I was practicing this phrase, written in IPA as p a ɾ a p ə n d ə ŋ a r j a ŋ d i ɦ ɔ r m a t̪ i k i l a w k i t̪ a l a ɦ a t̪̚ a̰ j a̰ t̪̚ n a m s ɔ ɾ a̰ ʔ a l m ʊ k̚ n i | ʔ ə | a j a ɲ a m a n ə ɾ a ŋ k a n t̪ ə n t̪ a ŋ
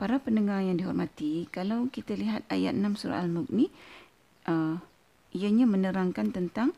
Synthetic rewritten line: p a ɾ a p ə n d ə ŋ a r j a ŋ d i ɦ ɔ r m a t̪ i k a l a w k i t̪ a l i ɦ a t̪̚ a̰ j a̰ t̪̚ n a m s u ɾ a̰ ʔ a l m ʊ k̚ n i | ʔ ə | i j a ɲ a m ə n ə ɾ a ŋ k a n t̪ ə n t̪ a ŋ